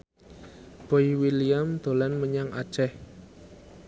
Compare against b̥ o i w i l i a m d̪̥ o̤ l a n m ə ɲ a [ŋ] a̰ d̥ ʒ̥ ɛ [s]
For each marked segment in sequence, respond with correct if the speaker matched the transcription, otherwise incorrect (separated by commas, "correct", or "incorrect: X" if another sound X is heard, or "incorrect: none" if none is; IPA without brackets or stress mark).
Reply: correct, incorrect: h